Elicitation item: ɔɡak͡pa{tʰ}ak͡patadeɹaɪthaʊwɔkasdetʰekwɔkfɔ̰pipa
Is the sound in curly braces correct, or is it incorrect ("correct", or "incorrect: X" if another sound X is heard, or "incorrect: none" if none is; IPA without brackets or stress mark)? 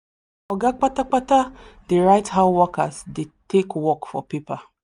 incorrect: t